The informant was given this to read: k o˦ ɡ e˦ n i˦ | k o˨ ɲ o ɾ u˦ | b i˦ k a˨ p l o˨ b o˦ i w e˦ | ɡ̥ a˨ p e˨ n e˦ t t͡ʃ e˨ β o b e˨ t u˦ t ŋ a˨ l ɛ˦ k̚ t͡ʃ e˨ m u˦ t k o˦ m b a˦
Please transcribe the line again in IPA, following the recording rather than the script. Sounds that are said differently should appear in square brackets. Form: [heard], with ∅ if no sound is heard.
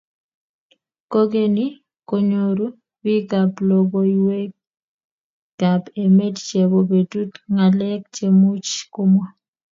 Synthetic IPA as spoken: k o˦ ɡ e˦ n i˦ | k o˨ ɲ o ɾ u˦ | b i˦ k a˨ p l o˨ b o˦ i w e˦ | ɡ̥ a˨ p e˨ [m] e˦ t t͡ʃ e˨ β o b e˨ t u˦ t ŋ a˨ l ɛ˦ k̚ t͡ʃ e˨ m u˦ [t͡ʃ] k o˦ m [w] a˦